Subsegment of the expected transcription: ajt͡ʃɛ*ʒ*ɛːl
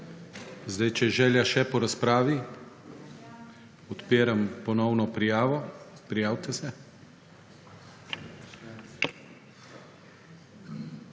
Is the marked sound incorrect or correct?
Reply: correct